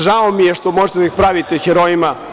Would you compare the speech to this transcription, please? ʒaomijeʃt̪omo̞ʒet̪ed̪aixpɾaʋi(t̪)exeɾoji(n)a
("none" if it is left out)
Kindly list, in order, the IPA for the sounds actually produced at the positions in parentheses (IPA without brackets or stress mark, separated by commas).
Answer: t̪, m